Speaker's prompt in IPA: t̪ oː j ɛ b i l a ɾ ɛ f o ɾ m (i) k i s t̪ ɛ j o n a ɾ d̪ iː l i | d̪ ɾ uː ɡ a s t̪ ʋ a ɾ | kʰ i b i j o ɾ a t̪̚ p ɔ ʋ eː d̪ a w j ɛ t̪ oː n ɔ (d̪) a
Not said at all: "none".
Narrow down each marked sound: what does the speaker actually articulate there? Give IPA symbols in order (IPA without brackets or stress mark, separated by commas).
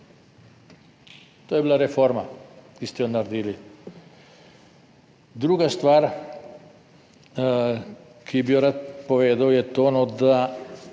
a, d̪